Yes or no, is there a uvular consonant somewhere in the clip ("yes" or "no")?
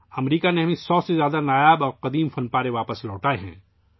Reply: yes